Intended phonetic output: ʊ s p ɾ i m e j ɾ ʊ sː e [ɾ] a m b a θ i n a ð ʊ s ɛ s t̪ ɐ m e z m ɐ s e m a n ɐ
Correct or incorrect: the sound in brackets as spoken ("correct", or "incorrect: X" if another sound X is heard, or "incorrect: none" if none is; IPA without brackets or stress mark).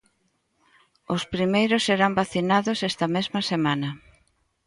correct